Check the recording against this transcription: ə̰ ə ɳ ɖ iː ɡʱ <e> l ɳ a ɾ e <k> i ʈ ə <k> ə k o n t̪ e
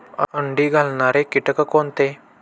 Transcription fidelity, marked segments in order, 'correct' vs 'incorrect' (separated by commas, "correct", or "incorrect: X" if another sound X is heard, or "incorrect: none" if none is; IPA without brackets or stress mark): incorrect: a, correct, correct